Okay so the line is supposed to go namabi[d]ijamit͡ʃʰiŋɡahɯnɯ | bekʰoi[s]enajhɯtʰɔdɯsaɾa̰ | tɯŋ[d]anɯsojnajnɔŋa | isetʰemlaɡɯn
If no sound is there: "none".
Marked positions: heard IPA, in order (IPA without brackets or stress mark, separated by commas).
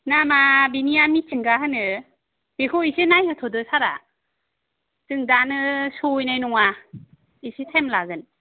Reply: n, s, d